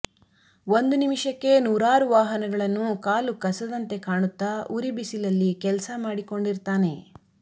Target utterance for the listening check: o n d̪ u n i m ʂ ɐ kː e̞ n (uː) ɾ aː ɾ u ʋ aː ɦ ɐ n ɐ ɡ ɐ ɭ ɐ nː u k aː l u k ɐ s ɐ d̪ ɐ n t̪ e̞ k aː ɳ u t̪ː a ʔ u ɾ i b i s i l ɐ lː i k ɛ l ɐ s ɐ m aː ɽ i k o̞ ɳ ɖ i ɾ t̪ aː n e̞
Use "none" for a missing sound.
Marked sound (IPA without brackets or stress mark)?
uː